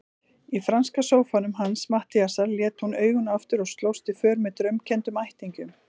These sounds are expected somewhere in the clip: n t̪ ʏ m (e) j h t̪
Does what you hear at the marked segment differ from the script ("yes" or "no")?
yes